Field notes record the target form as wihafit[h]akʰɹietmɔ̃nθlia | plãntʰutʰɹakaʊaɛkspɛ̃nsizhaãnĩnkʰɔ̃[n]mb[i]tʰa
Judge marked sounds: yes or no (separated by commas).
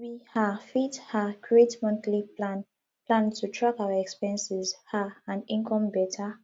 yes, no, no